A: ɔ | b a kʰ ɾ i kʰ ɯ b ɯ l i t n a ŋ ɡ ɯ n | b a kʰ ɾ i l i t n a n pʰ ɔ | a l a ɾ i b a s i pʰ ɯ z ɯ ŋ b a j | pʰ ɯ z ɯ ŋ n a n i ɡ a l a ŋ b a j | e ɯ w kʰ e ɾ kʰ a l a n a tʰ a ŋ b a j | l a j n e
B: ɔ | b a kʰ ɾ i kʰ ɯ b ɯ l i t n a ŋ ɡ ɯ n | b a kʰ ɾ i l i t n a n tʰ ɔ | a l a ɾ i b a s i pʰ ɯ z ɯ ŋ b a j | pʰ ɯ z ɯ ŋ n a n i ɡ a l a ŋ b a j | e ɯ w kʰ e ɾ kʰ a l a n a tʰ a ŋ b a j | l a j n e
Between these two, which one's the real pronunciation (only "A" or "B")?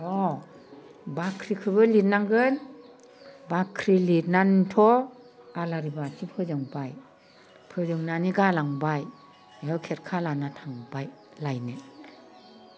B